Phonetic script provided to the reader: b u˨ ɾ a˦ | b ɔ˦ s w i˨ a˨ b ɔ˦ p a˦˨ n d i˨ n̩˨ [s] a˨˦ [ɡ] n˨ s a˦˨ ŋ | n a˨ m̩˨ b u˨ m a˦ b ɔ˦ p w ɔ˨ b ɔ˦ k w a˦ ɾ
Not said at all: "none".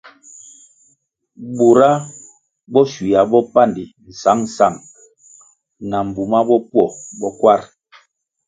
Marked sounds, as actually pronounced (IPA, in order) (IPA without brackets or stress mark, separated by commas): s, ŋ